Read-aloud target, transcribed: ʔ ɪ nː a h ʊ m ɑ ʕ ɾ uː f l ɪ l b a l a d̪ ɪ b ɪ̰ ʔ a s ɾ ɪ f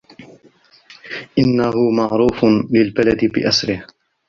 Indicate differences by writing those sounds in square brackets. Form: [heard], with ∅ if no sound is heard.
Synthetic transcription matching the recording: ʔ ɪ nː a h ʊ m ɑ ʕ ɾ uː f l ɪ l b a l a d̪ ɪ b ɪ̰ ʔ a s ɾ ɪ [h]